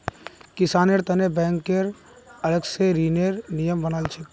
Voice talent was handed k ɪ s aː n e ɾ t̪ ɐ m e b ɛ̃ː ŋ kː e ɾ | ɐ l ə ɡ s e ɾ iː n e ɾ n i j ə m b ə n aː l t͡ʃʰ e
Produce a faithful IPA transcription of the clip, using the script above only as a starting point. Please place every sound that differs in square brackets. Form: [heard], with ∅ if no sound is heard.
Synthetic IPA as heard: k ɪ s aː n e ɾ t̪ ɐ [n] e b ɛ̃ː ŋ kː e ɾ | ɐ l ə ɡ s e ɾ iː n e ɾ n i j ə m b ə n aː l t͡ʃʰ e